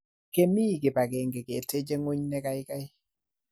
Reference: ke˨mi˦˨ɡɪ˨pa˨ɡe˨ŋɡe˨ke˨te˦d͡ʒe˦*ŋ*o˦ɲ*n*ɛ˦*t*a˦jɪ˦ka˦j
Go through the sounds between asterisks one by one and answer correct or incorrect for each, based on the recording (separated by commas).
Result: correct, correct, incorrect